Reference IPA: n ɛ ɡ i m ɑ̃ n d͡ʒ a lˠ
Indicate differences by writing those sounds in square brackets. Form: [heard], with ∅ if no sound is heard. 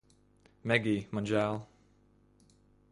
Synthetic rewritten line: [m] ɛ ɡ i m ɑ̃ n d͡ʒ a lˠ